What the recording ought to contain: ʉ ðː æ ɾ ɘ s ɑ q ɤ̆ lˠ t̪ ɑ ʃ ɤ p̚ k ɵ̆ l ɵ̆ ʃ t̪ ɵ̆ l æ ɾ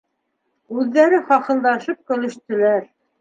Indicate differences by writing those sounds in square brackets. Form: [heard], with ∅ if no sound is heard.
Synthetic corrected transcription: ʉ ðː æ ɾ ɘ [χ] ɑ q ɤ̆ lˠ [d̪] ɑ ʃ ɤ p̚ k ɵ̆ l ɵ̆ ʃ t̪ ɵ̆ l æ ɾ